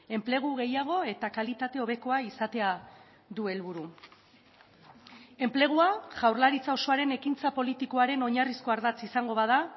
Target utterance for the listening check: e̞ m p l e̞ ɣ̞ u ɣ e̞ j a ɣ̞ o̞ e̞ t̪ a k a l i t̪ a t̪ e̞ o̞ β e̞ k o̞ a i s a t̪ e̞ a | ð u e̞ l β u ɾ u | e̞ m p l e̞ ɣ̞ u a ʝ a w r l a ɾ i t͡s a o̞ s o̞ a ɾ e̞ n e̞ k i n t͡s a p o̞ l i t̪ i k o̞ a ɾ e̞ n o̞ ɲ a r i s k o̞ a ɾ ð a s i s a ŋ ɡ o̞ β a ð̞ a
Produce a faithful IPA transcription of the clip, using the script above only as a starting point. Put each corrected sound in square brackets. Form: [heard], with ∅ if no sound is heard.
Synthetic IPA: e̞ m p l e̞ ɣ̞ u ɣ e̞ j a ɣ̞ o̞ e̞ t̪ a k a l i t̪ a t̪ e̞ o̞ β e̞ k o̞ a i s a t̪ e̞ a | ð u e̞ l β u ɾ u | e̞ m p l e̞ ɣ̞ u a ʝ a w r l a ɾ i t͡s a o̞ s o̞ a ɾ e̞ n e̞ k i n t͡s a p o̞ l i t̪ i k o̞ a ɾ e̞ n o̞ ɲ a r i s k o̞ a ɾ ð a [t͡s] i s a ŋ ɡ o̞ β a ð̞ a